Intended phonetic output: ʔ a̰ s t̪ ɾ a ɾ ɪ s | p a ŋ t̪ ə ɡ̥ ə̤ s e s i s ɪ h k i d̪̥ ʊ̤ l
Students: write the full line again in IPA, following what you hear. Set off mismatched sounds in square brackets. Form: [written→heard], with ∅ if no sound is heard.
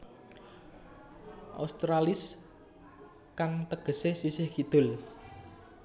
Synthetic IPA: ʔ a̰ s t̪ ɾ a [ɾ→l] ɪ s | [p→k] a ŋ t̪ ə ɡ̥ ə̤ s e s i s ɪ h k i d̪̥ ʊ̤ l